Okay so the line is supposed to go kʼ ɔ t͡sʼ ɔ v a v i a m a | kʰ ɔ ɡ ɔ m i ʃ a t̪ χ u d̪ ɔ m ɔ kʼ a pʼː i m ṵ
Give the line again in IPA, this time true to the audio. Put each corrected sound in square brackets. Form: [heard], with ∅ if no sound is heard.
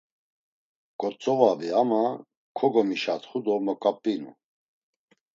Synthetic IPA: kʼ ɔ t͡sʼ ɔ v a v i a m a | kʰ ɔ ɡ ɔ m i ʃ a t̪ χ u d̪ ɔ m ɔ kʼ a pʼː i [n] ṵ